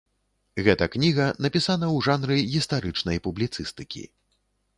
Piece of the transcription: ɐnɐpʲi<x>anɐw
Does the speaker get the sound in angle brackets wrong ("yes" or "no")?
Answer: yes